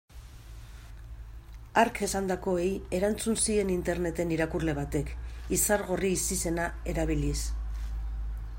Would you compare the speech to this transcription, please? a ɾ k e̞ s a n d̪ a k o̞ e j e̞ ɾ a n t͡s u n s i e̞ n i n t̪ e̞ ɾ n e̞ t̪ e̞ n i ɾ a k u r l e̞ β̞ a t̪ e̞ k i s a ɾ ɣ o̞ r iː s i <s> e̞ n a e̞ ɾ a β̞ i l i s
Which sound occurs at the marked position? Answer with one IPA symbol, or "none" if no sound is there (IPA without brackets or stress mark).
s